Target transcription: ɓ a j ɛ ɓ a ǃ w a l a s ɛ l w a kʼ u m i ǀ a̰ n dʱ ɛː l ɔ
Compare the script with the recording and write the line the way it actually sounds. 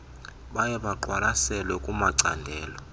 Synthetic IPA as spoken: ɓ a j ɛ ɓ a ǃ w a l a s ɛ l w ɛ kʼ u m a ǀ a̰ n dʱ ɛː l ɔ